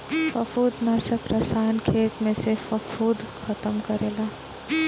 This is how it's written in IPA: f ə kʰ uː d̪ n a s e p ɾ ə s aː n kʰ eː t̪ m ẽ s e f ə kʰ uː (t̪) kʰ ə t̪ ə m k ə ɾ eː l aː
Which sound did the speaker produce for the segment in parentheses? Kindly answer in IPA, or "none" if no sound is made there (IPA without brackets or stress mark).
d̪